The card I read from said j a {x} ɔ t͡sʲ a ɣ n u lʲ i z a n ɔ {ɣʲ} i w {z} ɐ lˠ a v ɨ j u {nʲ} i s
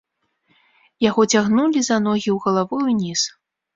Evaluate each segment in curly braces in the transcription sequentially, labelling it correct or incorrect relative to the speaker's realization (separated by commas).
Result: incorrect, correct, incorrect, correct